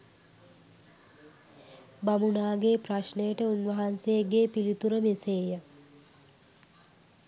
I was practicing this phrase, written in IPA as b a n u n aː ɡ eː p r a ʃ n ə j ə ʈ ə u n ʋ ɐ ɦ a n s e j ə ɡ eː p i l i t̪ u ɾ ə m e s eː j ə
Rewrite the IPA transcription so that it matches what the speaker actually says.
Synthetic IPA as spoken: b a m u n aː ɡ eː p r a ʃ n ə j ə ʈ ə u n ʋ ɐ ɦ a n s e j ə ɡ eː p i l i t̪ u ɾ ə m e s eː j ə